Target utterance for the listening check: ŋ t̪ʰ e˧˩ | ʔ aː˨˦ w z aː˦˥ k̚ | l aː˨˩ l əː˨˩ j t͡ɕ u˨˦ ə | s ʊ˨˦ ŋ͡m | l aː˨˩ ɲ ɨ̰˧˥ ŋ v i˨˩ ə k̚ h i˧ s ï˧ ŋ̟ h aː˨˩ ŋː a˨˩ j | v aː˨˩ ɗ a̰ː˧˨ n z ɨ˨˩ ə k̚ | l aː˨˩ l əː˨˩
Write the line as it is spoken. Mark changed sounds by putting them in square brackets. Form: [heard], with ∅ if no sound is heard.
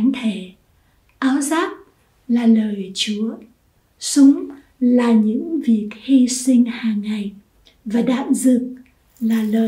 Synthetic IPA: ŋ t̪ʰ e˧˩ | ʔ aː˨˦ w z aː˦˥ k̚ | l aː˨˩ l əː˨˩ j t͡ɕ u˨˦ ə | s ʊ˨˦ ŋ͡m | l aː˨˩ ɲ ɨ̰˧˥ ŋ v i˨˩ ə k̚ h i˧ s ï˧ ŋ̟ h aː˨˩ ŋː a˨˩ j | v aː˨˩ ɗ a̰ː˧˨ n z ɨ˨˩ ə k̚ | l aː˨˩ l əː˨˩